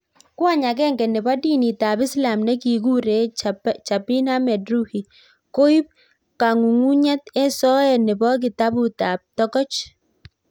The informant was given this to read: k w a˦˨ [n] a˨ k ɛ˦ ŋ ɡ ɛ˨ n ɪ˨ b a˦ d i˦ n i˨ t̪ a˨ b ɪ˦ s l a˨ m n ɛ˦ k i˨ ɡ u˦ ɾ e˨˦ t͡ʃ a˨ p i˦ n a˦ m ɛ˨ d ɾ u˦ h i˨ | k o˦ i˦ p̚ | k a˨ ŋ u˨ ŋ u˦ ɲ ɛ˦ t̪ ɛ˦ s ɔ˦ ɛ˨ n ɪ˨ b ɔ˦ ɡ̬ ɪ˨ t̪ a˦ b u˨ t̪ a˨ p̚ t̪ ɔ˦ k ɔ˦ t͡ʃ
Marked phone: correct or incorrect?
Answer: incorrect